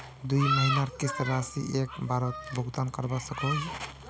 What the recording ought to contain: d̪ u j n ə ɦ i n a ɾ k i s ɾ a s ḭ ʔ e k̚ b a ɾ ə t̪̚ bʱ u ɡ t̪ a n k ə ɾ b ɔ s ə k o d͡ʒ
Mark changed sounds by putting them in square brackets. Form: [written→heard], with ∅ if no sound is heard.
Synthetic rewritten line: d̪ u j [n→m] ə ɦ i n a ɾ k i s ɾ a s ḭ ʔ e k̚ b a ɾ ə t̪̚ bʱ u ɡ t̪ a n k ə ɾ b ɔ s ə k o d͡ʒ